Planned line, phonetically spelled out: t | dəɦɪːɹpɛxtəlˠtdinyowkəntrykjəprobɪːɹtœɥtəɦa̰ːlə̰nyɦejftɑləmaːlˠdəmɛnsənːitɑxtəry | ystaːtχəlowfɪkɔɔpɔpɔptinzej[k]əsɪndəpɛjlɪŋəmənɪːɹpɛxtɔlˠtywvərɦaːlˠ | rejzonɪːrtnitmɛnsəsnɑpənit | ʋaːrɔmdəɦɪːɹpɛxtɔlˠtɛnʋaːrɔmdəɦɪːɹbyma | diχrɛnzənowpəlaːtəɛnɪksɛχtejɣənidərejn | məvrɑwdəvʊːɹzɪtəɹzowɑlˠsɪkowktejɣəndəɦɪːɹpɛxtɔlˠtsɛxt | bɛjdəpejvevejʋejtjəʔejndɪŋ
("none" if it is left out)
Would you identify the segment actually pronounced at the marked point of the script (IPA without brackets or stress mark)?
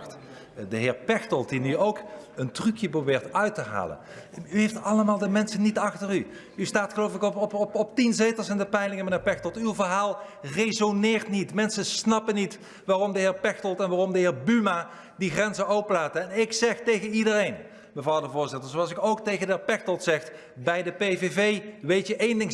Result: t